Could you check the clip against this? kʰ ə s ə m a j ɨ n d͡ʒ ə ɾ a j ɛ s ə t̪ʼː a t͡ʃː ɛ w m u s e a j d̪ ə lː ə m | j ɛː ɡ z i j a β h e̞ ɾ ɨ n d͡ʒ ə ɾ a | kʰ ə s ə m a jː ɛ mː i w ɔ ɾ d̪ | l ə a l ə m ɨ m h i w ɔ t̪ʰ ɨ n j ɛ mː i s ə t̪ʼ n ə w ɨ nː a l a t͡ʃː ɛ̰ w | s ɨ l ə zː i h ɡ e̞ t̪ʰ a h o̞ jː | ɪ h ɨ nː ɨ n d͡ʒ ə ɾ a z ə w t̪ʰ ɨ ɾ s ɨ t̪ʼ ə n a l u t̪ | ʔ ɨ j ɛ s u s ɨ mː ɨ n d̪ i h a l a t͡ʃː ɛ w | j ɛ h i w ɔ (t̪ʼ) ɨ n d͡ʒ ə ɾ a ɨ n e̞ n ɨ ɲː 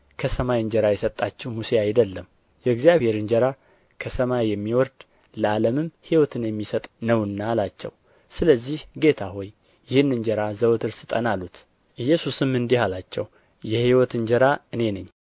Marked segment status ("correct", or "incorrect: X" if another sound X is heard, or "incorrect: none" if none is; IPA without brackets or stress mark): incorrect: t̪